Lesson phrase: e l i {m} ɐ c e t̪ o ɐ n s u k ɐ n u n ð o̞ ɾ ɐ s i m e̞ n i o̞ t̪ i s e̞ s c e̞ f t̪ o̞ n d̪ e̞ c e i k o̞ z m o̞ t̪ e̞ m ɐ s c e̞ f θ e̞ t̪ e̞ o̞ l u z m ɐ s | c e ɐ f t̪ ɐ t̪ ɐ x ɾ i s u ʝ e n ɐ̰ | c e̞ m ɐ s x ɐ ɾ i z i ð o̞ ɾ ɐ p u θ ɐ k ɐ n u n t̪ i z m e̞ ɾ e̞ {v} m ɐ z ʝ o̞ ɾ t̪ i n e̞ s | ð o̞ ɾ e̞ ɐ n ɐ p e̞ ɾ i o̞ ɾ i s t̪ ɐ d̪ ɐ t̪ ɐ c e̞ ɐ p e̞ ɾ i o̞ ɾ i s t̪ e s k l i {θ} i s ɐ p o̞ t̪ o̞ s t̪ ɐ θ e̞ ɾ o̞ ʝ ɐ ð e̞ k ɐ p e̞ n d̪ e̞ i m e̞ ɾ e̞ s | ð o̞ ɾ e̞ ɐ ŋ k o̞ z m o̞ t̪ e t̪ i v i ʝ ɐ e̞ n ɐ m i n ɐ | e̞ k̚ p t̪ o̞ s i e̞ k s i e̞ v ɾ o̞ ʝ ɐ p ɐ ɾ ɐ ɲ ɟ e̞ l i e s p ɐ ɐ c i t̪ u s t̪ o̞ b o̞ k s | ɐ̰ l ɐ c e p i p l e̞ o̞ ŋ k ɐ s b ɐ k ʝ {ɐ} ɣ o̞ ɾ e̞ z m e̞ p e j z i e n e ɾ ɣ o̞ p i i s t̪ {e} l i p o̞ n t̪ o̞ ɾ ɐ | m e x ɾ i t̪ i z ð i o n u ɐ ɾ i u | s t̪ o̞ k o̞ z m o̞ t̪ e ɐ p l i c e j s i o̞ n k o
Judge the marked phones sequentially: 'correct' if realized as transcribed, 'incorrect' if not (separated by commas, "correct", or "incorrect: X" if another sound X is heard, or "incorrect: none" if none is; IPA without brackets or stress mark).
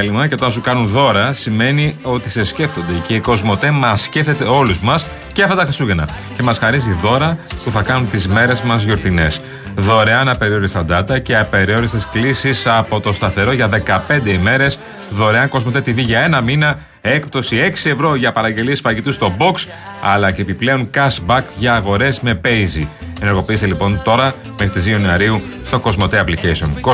correct, incorrect: z, incorrect: s, incorrect: ɐː, correct